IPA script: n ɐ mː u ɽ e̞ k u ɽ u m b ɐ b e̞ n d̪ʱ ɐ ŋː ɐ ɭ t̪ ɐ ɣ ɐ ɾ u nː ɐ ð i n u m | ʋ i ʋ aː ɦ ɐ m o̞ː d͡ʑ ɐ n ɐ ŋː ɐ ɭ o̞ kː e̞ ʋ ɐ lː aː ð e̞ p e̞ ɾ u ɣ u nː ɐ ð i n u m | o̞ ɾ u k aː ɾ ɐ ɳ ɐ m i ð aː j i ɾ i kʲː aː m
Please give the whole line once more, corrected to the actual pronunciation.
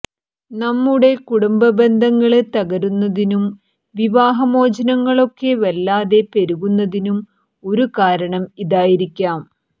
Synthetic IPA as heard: n ɐ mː u ɽ e̞ k u ɽ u m b ɐ b e̞ n d̪ʱ ɐ ŋː ɐ ɭ t̪ ɐ ɣ ɐ ɾ u nː ɐ ð i n u m | ʋ i ʋ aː ɦ ɐ m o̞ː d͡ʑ ɐ n ɐ ŋː ɐ ɭ o̞ kː e̞ ʋ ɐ lː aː ð e̞ p e̞ ɾ u ɣ u nː ɐ ð i n u m | o̞ ɾ u k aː ɾ ɐ ɳ ɐ m i ð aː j i ɾ i kʲː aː m